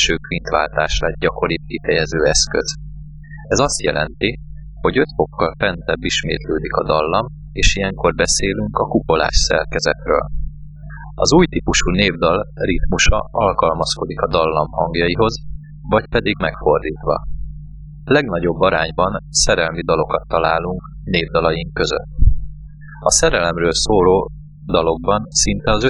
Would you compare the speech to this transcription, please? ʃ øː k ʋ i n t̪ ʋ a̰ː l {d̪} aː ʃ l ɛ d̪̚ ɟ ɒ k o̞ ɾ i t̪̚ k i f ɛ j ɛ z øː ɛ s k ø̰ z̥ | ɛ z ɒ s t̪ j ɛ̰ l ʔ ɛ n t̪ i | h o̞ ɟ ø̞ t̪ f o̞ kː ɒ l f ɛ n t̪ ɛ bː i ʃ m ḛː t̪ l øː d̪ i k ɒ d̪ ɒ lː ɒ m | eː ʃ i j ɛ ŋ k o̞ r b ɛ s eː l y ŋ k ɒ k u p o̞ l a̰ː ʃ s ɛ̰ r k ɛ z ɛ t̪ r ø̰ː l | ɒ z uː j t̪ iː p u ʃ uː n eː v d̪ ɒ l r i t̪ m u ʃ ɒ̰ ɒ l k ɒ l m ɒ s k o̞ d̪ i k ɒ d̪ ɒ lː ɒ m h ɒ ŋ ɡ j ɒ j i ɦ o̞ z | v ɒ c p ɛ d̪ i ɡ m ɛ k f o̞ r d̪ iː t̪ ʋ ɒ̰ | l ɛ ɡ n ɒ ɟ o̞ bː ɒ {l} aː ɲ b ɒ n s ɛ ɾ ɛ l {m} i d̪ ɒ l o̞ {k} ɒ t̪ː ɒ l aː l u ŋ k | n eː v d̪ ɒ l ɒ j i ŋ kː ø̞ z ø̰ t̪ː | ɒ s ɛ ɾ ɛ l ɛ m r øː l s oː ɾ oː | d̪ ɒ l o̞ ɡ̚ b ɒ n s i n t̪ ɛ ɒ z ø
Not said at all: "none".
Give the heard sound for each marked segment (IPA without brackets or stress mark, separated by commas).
t̪, ɾ, m, k